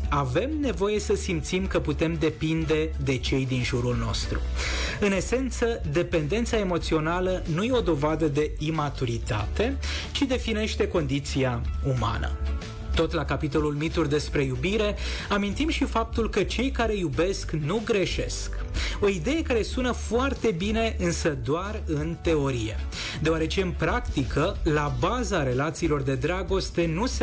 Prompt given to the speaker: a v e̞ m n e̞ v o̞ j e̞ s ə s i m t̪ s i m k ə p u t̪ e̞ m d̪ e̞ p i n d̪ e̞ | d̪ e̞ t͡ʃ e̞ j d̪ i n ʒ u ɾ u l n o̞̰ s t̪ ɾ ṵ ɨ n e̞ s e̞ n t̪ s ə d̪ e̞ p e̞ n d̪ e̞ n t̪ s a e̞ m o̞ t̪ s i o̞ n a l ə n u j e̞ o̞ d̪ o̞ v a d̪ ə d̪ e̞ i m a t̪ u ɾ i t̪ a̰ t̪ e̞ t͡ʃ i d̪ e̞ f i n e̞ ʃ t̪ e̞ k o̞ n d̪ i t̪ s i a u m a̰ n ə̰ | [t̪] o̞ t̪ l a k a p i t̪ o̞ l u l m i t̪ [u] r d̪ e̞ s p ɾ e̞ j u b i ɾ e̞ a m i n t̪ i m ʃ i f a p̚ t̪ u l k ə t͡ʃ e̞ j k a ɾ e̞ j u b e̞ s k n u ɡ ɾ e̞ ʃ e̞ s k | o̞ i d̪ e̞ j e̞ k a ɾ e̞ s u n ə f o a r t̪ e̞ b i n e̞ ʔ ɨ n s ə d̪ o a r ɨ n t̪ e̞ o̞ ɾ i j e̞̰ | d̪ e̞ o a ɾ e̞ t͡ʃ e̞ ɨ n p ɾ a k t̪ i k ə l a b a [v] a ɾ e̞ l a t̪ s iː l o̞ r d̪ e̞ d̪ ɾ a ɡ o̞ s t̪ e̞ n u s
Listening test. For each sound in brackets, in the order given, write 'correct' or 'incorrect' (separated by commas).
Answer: correct, correct, incorrect